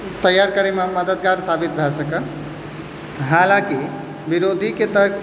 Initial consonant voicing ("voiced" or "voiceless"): voiceless